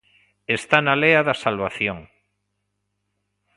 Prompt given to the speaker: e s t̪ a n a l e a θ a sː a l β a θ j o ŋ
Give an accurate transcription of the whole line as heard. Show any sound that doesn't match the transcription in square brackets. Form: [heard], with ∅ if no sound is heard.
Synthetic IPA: e s t̪ a n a l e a [ð] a [s] a l β a θ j o ŋ